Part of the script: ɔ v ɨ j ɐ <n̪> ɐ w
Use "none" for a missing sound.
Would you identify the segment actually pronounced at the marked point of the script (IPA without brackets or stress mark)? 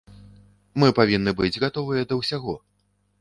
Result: d̪